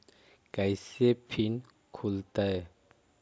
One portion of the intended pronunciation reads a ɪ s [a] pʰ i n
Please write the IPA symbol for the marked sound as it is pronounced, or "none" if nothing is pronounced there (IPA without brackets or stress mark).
e